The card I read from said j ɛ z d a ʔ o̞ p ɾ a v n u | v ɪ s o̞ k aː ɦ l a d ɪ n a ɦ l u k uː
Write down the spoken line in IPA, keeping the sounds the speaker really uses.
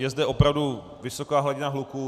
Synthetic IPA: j ɛ z d ɛ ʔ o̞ p ɾ a v d u | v ɪ s o̞ k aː ɦ l a ɟ ɪ n a ɦ l u k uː